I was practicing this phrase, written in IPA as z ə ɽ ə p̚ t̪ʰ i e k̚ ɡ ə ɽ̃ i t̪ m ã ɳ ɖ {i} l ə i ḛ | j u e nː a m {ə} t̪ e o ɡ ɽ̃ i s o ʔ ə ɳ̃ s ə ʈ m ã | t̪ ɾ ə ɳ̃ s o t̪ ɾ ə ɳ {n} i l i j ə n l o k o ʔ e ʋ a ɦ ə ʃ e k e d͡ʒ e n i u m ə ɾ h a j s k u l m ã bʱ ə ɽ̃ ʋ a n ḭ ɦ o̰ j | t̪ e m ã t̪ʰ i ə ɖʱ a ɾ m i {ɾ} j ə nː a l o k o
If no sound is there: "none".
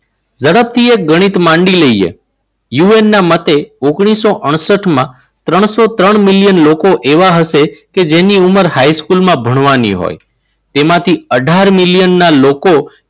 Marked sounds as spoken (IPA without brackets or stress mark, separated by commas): i, ə, m, l